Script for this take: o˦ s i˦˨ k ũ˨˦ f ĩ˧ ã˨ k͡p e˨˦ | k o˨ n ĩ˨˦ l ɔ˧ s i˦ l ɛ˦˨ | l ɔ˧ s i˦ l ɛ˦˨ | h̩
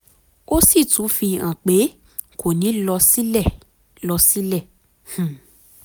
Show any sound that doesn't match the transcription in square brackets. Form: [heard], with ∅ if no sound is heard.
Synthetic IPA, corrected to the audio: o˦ s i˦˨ [t] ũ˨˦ f [i˧] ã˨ k͡p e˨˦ | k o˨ n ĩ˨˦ l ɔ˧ s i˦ l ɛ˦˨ | l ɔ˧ s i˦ l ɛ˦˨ | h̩